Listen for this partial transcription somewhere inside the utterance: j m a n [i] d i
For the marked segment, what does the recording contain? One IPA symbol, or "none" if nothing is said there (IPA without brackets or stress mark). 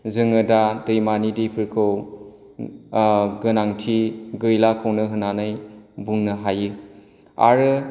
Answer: i